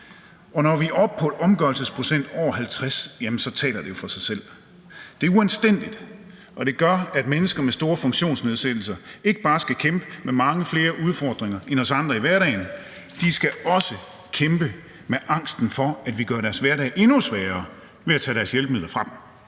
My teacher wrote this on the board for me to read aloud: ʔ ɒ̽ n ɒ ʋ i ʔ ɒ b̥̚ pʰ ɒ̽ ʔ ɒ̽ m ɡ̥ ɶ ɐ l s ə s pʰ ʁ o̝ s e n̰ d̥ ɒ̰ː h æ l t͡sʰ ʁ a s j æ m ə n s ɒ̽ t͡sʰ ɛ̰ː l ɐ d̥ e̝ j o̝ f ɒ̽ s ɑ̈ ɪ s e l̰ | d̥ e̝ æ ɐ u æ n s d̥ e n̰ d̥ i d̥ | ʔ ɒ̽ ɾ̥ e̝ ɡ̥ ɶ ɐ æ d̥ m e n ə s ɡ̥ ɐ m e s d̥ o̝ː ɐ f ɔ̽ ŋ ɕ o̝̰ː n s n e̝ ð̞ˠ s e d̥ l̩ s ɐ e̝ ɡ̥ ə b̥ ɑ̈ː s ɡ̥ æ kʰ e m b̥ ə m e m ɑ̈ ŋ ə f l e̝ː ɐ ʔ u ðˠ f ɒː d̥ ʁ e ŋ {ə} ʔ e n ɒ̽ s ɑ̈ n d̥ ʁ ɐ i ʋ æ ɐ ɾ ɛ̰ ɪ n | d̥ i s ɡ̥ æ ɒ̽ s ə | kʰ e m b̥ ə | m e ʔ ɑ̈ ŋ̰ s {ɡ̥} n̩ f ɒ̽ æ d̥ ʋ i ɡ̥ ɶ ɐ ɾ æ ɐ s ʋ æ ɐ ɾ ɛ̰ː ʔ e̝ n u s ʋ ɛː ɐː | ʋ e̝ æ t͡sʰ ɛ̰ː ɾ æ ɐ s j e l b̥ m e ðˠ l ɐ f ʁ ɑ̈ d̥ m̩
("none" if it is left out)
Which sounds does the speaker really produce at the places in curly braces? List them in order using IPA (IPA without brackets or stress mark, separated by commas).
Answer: ɐ, d̥